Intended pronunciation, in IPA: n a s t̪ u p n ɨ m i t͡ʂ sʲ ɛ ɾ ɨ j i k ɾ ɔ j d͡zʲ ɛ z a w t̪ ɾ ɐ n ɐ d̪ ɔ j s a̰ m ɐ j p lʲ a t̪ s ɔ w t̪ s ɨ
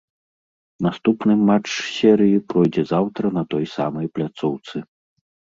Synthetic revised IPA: n a s t̪ u p n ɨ m a t͡ʂ sʲ ɛ ɾ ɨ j i p ɾ ɔ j d͡zʲ ɛ z a w t̪ ɾ ɐ n ɐ t̪ ɔ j s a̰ m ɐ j p lʲ a t̪ s ɔ w t̪ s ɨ